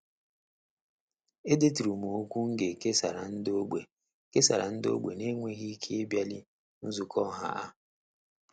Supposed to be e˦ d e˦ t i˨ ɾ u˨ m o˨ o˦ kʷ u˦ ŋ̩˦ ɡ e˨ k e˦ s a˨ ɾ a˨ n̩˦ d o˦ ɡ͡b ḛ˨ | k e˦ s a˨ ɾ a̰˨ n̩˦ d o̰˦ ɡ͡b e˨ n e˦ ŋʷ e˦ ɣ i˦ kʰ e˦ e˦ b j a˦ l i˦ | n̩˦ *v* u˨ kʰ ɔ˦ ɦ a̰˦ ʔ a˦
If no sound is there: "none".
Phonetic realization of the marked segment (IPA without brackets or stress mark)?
z